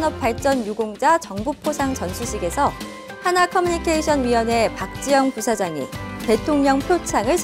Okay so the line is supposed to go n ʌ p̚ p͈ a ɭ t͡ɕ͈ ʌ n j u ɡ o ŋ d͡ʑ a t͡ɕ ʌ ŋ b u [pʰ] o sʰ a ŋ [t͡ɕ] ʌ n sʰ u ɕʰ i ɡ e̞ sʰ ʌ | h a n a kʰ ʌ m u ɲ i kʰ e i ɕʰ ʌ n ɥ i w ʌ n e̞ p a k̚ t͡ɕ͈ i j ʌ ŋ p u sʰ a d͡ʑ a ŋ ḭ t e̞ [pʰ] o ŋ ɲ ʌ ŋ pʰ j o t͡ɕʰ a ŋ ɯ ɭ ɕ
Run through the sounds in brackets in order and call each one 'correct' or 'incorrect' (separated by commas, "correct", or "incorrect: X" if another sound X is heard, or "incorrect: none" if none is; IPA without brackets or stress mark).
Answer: correct, correct, incorrect: tʰ